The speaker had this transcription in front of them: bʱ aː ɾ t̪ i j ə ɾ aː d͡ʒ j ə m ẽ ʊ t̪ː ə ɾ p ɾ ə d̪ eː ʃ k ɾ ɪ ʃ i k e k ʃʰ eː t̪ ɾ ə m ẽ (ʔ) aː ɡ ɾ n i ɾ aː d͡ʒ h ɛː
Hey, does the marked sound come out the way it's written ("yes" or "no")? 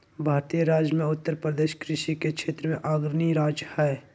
yes